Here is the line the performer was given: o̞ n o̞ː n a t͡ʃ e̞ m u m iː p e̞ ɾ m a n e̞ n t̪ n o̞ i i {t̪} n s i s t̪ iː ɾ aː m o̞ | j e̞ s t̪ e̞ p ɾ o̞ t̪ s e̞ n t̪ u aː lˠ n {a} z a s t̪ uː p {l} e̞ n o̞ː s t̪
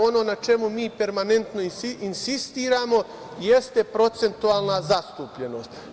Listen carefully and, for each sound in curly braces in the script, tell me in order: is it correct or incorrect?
incorrect: none, correct, incorrect: ʎ

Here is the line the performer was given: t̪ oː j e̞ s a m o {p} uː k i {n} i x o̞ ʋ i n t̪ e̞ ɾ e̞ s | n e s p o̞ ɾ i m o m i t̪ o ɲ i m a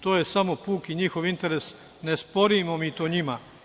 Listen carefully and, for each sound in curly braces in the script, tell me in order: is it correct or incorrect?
correct, incorrect: ɲ

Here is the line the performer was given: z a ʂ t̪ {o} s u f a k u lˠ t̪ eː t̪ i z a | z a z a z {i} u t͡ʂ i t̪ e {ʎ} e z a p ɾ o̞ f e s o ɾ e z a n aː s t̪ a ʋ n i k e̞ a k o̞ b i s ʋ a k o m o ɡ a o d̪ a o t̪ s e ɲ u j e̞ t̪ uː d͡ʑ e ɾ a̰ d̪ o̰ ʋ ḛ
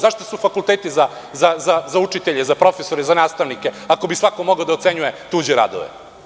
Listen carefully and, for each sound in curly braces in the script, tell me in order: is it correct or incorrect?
correct, incorrect: a, correct

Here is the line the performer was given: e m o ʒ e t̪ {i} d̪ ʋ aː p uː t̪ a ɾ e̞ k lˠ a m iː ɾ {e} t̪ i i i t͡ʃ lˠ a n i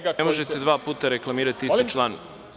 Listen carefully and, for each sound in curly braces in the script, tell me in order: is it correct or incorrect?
incorrect: e, incorrect: a

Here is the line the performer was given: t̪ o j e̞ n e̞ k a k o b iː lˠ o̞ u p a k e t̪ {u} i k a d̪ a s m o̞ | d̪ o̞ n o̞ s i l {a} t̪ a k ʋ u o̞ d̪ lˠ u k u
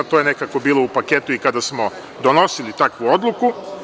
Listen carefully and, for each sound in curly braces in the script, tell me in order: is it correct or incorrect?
correct, incorrect: i

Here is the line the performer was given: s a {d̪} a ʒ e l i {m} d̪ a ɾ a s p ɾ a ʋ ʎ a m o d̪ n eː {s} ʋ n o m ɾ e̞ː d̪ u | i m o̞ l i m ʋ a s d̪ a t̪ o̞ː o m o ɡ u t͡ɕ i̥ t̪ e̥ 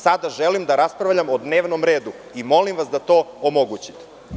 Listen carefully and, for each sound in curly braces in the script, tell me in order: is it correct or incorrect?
correct, correct, incorrect: none

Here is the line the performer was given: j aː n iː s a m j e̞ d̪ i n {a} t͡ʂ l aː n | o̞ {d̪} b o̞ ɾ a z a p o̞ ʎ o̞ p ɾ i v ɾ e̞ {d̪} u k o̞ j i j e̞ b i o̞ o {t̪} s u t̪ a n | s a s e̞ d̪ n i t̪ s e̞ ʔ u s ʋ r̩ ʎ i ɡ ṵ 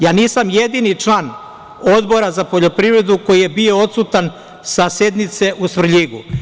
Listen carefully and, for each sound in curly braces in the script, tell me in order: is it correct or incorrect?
incorrect: i, correct, correct, correct

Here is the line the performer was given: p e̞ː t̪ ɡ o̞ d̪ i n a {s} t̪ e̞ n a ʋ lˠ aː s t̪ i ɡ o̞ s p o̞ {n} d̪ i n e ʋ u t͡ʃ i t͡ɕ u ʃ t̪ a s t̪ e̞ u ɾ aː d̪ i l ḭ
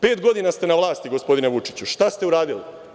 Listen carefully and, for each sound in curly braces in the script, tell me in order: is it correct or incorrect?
correct, incorrect: none

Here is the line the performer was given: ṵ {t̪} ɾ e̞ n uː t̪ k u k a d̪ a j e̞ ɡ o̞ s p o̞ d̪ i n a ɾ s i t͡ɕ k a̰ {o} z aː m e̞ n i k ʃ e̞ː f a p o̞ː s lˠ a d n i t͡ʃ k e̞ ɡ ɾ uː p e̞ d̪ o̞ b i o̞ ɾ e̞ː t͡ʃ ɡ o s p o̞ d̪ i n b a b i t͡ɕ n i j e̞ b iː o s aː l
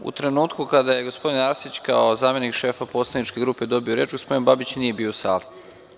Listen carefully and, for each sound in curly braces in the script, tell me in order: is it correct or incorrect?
correct, correct

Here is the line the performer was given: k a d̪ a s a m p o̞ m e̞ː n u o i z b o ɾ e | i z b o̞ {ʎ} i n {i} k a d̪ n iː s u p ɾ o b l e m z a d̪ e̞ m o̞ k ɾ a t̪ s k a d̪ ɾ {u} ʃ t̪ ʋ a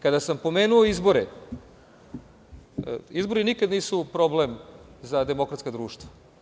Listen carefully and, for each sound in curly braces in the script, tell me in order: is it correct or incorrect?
incorrect: ɾ, correct, incorrect: uː

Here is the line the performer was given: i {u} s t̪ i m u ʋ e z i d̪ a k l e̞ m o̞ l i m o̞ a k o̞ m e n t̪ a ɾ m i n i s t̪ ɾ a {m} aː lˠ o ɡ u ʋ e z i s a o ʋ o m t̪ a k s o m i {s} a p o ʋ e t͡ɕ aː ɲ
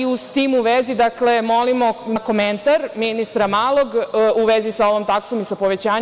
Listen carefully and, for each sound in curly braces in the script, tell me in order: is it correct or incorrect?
correct, correct, correct

